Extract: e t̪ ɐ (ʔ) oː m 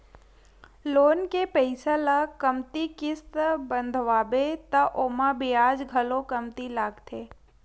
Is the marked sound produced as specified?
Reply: yes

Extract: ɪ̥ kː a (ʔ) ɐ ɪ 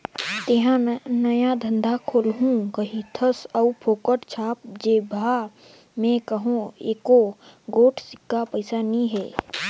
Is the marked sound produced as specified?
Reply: no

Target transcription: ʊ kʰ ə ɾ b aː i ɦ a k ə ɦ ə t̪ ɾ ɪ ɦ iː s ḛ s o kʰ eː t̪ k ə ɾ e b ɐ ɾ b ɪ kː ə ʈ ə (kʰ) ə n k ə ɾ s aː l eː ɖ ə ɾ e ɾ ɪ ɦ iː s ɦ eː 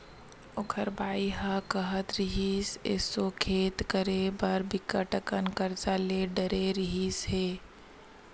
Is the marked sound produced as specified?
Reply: no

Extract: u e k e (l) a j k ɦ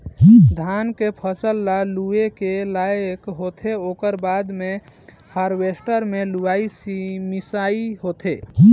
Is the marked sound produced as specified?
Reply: yes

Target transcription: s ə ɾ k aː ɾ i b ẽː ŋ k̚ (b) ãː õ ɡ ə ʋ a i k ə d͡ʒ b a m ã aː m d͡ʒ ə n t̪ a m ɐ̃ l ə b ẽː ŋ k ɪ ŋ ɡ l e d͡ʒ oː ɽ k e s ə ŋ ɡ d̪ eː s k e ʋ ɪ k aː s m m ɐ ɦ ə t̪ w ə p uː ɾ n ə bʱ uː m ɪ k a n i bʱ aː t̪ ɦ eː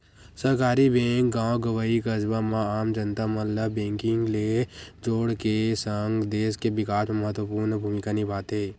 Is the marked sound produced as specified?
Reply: no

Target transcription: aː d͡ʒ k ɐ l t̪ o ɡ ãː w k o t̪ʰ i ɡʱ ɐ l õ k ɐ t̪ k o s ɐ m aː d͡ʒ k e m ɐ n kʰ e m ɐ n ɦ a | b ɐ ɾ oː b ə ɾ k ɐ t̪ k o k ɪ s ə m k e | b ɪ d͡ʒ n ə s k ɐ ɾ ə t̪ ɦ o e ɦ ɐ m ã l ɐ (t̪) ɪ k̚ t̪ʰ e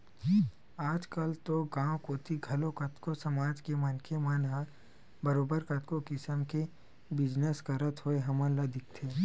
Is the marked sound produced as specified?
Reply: no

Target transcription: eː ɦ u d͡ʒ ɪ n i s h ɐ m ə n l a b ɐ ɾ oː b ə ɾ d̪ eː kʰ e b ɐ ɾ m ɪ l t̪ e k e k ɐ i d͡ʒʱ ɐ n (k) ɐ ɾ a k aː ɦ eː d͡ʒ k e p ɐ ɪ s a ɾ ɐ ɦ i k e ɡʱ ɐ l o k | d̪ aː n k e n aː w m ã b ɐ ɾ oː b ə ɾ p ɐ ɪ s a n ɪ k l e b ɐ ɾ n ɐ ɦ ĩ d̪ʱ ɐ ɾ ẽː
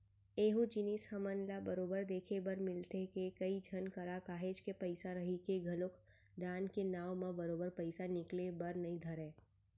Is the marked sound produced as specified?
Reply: yes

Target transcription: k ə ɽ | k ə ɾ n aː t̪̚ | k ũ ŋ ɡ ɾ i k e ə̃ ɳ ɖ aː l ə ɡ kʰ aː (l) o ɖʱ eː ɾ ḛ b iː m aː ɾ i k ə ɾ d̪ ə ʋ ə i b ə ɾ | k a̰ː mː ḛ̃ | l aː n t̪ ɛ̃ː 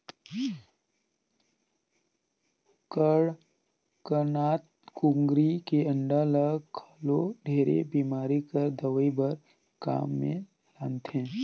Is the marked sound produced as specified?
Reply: yes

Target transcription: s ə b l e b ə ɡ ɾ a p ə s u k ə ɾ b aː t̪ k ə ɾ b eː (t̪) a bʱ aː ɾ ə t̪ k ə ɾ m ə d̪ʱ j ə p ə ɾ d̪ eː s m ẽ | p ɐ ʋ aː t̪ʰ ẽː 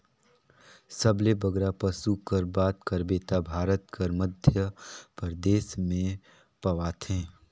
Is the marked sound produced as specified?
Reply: yes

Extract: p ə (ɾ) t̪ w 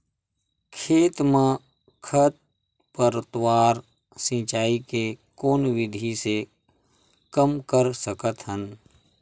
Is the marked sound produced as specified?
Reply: yes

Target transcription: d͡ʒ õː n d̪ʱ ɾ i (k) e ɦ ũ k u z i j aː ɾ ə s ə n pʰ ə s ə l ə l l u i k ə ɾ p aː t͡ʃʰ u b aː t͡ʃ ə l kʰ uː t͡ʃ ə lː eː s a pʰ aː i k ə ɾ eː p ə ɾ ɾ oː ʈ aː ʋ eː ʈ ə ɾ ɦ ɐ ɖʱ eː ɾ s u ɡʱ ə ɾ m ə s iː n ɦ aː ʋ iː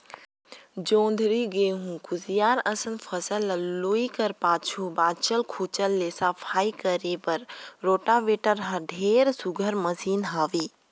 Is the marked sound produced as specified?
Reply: no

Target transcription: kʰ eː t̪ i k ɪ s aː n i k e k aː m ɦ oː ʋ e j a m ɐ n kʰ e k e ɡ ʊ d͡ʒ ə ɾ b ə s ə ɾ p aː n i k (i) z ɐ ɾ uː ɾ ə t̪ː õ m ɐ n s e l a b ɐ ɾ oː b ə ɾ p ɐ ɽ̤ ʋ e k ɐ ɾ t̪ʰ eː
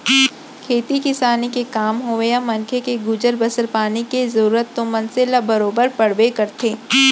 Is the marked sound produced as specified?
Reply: no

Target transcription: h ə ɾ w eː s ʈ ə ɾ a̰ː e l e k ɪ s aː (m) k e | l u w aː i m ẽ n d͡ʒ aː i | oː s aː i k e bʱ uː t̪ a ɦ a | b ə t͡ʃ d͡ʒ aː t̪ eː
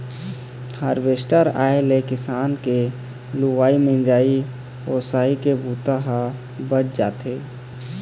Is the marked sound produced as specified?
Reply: no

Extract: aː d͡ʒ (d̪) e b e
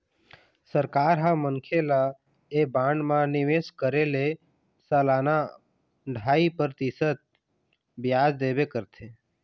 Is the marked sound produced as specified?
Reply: yes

